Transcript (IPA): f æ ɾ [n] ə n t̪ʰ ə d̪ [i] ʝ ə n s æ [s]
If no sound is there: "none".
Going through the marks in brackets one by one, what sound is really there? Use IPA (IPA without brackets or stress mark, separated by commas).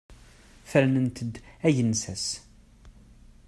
n, æ, s